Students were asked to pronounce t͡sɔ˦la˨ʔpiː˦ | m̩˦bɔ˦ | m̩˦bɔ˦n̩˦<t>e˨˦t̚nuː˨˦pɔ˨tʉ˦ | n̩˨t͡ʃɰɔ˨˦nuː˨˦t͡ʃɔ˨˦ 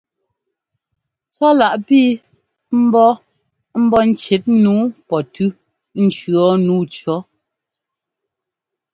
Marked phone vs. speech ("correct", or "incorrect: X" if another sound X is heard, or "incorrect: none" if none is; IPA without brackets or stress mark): incorrect: t͡ʃ